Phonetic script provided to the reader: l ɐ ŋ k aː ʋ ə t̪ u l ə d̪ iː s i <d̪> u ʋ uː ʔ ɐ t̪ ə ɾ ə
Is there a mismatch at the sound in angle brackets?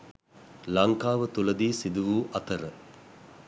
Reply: no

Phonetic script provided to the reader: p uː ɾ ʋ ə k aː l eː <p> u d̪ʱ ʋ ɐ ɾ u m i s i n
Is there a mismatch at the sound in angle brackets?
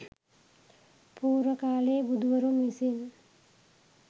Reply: yes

